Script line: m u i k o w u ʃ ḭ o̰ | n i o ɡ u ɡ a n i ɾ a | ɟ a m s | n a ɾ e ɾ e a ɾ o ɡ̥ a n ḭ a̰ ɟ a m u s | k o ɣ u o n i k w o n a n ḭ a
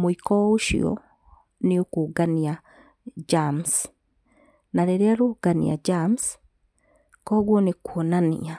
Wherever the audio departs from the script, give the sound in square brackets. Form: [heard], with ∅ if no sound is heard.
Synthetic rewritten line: m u i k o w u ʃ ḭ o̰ | n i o [k] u ɡ a n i [∅] a | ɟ a m s | n a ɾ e ɾ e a ɾ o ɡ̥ a n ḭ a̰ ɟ a m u s | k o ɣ [w] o n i k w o n a n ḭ a